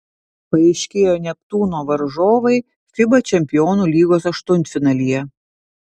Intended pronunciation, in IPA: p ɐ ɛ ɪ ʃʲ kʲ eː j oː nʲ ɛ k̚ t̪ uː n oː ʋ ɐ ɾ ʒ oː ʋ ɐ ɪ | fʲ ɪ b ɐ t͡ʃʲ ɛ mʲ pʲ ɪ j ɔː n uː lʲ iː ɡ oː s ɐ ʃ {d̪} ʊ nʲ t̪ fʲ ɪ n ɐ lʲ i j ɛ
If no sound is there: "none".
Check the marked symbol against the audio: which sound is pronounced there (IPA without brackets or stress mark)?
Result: t̪